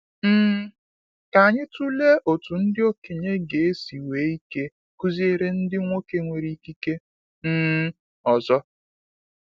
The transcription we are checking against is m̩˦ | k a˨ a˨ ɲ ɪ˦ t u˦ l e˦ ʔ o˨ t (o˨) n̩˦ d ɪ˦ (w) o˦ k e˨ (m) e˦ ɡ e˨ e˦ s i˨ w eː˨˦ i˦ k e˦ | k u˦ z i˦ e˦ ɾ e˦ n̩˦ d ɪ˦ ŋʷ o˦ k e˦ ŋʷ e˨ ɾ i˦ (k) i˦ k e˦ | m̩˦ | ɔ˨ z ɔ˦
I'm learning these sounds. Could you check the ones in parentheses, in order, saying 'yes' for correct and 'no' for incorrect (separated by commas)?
no, no, no, yes